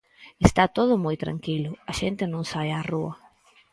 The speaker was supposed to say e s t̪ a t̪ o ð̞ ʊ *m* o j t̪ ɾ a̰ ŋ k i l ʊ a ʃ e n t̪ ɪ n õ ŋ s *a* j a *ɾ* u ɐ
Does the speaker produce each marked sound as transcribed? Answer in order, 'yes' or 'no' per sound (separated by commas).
yes, yes, no